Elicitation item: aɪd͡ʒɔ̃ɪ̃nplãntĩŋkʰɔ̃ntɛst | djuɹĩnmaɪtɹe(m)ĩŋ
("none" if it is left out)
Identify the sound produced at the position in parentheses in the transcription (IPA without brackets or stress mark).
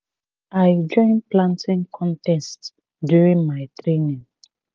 n